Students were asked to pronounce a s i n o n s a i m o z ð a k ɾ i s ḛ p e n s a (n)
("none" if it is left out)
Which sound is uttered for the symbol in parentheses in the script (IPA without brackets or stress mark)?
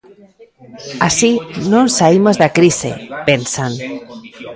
n